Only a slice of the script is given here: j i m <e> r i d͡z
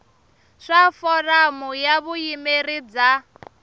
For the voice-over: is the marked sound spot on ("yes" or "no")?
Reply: yes